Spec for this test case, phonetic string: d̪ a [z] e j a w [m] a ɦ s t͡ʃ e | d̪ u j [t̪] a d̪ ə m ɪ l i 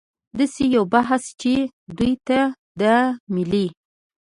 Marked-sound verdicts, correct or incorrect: incorrect: s, incorrect: b, correct

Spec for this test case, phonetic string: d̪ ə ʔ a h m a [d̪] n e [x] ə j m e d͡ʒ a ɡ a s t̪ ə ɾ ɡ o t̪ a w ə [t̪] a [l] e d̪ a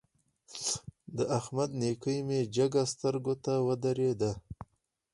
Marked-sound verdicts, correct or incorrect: correct, incorrect: k, incorrect: d̪, incorrect: ɾ

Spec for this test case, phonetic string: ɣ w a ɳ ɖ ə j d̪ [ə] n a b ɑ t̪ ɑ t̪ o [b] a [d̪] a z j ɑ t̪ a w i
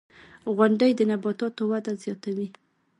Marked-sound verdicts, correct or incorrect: correct, incorrect: w, correct

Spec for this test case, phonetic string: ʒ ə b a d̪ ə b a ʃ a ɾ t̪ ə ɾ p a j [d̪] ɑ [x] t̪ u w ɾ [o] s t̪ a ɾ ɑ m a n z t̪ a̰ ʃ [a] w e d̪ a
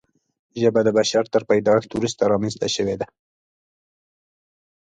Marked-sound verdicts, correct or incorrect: correct, correct, incorrect: u, incorrect: ə

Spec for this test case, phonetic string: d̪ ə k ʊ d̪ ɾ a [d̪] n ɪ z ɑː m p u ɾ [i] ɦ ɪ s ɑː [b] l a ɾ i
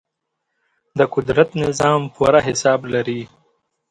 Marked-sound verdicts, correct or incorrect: incorrect: t̪, incorrect: a, correct

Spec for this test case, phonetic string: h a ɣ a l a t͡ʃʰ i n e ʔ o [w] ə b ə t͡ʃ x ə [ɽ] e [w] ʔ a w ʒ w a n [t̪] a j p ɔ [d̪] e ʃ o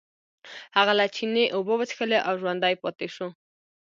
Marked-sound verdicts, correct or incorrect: incorrect: b, incorrect: l, incorrect: none, incorrect: d̪, incorrect: t̪

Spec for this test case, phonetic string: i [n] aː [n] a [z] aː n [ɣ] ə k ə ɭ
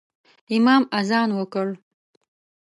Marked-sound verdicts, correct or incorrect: incorrect: m, incorrect: m, correct, incorrect: w

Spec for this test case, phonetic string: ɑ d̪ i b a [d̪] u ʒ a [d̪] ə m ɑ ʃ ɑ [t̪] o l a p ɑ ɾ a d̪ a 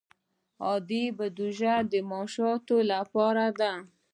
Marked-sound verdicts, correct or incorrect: correct, correct, correct

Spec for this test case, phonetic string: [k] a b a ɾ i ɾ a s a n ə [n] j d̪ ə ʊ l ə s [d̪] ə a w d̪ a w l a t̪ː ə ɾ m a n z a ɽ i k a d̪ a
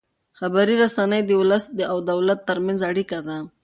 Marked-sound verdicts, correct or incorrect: incorrect: x, incorrect: none, correct

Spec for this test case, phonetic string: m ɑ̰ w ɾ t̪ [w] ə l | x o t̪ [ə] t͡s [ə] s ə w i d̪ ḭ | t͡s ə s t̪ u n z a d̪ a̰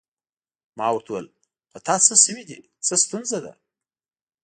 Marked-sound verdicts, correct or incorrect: correct, incorrect: ɑ, correct

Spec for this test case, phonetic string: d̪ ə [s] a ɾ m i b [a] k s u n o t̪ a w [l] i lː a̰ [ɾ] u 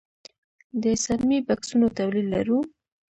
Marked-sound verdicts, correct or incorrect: correct, correct, correct, correct

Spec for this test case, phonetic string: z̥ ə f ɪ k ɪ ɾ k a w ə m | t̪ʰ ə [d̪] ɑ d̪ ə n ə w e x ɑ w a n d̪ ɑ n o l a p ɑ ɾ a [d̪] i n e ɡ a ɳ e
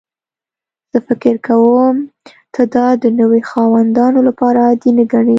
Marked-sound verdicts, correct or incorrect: correct, correct

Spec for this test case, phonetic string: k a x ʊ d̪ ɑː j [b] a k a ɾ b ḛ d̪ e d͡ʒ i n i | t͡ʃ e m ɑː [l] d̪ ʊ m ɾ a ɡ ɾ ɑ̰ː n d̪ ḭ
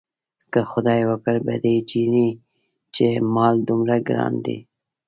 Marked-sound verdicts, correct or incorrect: incorrect: w, correct

